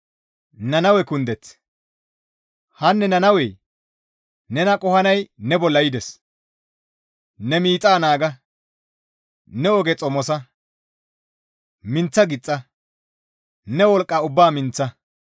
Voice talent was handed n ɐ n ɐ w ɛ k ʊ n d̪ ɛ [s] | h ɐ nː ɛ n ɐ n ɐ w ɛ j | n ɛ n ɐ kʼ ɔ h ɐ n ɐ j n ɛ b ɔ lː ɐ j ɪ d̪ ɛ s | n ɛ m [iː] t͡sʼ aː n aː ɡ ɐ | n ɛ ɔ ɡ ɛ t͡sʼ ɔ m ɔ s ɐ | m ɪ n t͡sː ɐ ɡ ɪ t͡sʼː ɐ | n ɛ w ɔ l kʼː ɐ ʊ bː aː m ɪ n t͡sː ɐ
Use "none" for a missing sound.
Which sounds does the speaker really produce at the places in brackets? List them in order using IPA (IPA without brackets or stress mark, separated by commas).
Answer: t͡s, iː